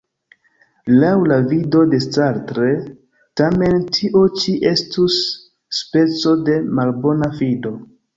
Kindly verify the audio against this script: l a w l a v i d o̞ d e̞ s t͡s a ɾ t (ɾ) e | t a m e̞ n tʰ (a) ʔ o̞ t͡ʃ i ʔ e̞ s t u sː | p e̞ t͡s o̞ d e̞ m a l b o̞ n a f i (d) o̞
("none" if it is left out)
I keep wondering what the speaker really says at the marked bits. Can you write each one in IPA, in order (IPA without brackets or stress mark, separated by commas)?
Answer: ɾ, i, d